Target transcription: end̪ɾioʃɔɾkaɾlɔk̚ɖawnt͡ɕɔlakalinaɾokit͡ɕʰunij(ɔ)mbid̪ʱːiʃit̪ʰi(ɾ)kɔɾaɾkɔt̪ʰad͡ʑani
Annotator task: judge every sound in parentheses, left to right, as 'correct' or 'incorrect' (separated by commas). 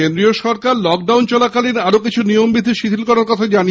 incorrect, incorrect